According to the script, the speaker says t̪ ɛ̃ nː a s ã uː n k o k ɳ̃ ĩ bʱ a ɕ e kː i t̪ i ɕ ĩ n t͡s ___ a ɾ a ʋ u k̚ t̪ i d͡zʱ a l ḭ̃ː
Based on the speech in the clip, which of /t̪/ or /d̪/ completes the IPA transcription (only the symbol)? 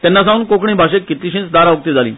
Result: d̪